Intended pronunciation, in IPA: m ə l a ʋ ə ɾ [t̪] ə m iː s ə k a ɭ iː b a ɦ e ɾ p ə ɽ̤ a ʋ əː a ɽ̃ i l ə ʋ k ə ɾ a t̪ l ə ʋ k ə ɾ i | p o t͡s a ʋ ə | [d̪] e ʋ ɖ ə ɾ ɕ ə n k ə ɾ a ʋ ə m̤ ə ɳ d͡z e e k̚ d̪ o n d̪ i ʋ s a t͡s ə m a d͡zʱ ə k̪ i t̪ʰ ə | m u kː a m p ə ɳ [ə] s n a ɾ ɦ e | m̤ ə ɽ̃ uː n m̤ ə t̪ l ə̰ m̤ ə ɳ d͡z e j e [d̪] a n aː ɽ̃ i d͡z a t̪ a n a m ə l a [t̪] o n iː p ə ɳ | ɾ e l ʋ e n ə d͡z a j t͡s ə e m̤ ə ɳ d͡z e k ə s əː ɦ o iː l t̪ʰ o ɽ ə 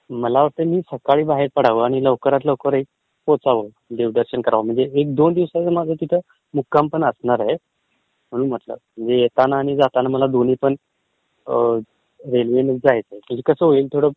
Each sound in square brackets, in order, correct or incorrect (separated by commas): correct, correct, correct, incorrect, incorrect